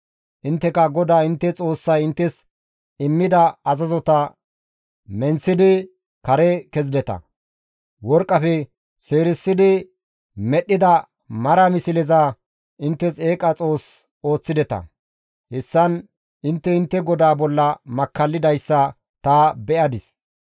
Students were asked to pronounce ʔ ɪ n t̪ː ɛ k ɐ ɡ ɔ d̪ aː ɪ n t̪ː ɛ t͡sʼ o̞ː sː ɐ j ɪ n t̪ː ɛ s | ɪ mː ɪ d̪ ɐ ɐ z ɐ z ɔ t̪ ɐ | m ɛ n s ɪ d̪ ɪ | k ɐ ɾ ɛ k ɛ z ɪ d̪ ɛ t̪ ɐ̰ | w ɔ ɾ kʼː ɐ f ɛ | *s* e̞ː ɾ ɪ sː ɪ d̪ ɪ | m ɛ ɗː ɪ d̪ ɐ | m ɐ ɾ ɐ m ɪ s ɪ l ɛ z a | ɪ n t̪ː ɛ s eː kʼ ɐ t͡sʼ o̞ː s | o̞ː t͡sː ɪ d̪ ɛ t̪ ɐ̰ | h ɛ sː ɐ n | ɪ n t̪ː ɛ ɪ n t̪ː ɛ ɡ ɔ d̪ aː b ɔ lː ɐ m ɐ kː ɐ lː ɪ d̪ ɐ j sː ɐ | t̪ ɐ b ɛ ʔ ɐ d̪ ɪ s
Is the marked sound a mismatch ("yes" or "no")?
no